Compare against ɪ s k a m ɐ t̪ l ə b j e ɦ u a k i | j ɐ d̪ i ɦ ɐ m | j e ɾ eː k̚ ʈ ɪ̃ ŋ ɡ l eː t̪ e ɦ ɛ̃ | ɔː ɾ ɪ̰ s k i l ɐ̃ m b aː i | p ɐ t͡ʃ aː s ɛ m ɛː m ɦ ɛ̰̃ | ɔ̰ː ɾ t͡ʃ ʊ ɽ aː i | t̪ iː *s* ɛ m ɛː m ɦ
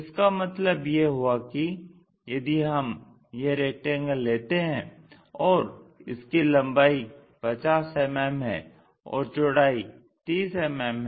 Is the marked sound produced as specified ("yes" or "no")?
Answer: yes